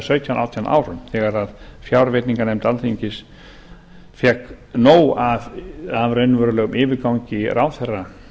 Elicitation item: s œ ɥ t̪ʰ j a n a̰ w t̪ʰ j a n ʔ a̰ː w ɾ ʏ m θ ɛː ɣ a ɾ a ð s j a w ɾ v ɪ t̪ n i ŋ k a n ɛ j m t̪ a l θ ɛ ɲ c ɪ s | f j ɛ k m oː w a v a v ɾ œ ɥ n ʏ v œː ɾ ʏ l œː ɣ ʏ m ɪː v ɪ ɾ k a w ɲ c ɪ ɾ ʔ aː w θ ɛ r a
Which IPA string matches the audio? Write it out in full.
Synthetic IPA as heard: s œ ɥ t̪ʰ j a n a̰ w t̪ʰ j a n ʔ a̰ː w ɾ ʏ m θ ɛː ɣ a ɾ a ð f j a w ɾ v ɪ t̪ n i ŋ k a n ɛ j m t̪ a l θ i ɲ c ɪ s | f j ɛ k n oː w a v a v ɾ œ ɥ n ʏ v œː ɾ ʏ l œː ɣ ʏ m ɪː v ɪ ɾ k a w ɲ c ɪ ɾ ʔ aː w θ ɛ r a